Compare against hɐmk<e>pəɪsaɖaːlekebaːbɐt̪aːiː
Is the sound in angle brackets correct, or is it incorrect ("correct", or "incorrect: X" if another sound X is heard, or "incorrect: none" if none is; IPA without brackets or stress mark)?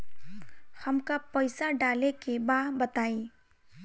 incorrect: a